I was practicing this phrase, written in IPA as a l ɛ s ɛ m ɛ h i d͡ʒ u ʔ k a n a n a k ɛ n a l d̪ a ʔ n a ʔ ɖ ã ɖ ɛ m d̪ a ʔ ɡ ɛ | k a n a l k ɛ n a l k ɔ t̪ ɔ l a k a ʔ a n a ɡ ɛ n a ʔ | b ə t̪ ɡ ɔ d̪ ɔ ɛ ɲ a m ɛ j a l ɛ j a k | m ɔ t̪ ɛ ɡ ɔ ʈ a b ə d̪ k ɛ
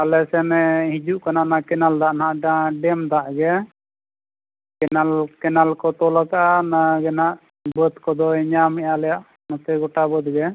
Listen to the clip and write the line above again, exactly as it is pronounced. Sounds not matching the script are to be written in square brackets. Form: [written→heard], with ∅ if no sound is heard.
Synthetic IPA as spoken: a l ɛ s ɛ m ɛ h i d͡ʒ u ʔ k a n a n a k ɛ n a l d̪ a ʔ n a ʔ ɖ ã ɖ ɛ m d̪ a ʔ ɡ ɛ | k [a→ɛ] n a l k ɛ n a l k ɔ t̪ ɔ l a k a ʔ a n a ɡ ɛ n a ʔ | b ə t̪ [ɡ→k] ɔ d̪ ɔ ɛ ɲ a m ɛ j a l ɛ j a [k→ʔ] | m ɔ t̪ ɛ ɡ ɔ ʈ a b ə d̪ [k→ɡ] ɛ